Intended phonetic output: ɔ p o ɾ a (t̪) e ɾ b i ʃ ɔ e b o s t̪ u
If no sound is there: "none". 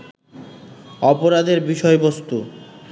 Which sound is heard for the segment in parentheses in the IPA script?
d̪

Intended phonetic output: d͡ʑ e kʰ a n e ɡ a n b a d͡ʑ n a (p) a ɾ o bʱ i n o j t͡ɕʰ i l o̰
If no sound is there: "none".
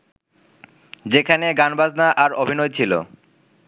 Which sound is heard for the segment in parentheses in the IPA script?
ʔ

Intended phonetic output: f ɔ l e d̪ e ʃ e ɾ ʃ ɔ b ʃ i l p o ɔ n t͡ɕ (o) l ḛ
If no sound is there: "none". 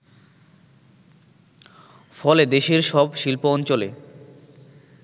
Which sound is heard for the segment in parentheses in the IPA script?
o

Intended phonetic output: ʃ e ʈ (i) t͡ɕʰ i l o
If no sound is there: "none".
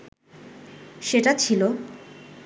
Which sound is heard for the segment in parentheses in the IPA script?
a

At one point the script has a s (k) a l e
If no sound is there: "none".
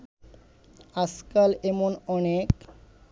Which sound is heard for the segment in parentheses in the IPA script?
k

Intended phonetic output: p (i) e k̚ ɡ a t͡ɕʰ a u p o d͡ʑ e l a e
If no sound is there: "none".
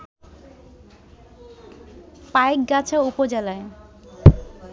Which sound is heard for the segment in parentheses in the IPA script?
a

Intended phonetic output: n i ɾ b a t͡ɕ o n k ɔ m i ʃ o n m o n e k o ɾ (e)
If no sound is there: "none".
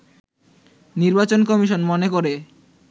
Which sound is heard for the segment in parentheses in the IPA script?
e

